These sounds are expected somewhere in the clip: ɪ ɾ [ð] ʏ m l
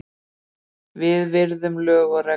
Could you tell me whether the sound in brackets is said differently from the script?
no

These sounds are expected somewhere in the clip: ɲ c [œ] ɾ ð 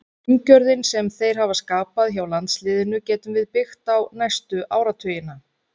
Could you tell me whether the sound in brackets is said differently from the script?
no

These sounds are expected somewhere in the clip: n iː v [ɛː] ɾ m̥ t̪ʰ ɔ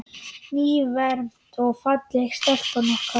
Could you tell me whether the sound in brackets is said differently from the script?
yes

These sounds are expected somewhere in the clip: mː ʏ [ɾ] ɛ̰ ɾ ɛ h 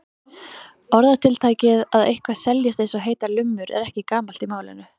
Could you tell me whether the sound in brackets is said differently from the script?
no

